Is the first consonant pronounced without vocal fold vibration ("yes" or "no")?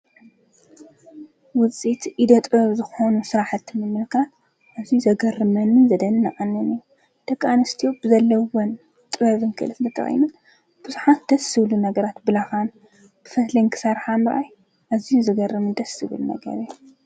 no